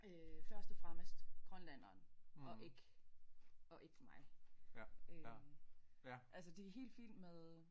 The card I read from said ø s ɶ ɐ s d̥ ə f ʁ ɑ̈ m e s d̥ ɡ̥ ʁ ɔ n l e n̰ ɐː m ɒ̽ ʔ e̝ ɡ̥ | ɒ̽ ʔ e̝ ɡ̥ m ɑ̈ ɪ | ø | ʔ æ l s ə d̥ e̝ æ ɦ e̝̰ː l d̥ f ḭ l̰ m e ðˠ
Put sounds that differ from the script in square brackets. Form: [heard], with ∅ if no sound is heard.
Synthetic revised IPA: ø [f] ɶ ɐ s d̥ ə f ʁ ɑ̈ m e s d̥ ɡ̥ ʁ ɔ n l [æ] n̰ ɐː [n] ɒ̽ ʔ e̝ ɡ̥ | ɒ̽ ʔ e̝ ɡ̥ m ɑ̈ ɪ | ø | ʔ æ l s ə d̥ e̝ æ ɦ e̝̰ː l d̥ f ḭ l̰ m e ðˠ

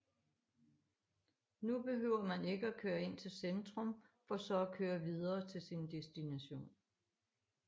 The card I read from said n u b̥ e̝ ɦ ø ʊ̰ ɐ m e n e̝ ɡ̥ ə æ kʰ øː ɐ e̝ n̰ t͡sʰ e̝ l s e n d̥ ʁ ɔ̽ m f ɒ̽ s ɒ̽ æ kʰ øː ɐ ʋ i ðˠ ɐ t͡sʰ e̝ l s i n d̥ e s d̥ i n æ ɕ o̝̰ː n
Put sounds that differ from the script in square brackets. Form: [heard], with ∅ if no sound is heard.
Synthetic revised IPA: n u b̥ e̝ ɦ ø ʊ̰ ɐ m [æ] n e̝ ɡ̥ ə æ kʰ øː ɐ e̝ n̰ t͡sʰ e̝ l s e n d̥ ʁ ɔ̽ m f ɒ̽ s ɒ̽ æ kʰ øː ɐ ʋ i ðˠ [ɐː] t͡sʰ e̝ l s i n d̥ e s d̥ i n æ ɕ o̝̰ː n

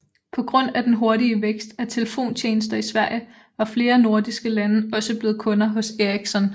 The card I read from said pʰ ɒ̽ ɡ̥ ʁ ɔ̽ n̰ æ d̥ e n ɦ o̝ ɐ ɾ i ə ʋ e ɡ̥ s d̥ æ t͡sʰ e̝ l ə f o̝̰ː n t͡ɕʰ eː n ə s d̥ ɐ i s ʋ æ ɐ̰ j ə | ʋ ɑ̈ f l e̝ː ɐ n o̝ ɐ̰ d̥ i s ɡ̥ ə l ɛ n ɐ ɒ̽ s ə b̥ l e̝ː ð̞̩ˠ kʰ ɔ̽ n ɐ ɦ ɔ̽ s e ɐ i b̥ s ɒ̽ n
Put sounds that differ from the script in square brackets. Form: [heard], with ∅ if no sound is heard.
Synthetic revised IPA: pʰ ɒ̽ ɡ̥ ʁ ɔ̽ n̰ æ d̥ e n ɦ o̝ ɐ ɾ i ə ʋ e ɡ̥ s d̥ æ t͡sʰ e̝ l ə f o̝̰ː n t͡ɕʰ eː n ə s d̥ ɐ i s ʋ æ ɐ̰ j ə | ʋ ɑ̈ f l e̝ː ɐ n o̝ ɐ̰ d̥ i s ɡ̥ ə l [æ] n [ə] ɒ̽ s ə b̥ l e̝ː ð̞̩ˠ kʰ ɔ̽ n ɐ ɦ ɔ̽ s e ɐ i [ɡ̥] s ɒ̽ n

